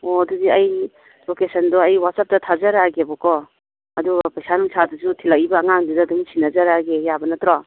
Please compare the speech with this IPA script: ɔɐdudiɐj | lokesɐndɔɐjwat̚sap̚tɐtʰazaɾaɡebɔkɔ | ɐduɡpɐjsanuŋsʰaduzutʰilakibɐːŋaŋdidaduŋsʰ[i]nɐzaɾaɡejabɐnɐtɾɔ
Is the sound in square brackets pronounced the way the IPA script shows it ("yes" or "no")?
yes